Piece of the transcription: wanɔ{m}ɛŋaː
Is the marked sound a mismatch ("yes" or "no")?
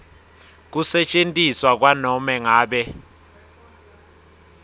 no